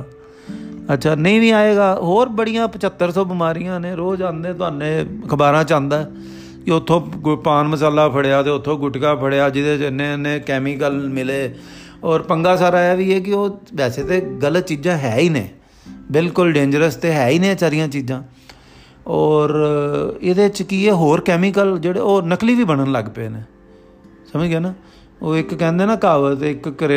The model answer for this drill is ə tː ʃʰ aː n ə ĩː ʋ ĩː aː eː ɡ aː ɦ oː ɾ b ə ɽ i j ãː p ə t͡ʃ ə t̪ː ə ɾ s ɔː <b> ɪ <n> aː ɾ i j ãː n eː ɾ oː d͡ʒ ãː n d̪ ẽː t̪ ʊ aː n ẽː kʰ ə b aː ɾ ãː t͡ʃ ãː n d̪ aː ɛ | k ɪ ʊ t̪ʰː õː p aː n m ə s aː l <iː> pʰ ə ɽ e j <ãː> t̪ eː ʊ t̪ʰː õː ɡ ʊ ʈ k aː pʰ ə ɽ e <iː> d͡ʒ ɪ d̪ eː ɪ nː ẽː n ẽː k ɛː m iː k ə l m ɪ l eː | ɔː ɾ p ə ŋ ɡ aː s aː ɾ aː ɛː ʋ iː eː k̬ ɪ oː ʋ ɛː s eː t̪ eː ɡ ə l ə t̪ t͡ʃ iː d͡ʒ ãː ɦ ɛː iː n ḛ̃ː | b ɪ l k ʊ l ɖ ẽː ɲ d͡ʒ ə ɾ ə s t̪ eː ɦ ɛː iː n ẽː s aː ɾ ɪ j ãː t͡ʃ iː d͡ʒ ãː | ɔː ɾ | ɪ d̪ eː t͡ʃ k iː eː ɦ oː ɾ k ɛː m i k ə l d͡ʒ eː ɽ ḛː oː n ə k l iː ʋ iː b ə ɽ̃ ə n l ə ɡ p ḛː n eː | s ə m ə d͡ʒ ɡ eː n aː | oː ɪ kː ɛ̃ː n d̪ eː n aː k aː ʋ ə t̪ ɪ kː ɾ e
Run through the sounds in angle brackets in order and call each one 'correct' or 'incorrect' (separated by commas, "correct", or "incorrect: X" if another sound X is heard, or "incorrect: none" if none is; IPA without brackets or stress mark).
correct, incorrect: m, incorrect: aː, incorrect: aː, incorrect: aː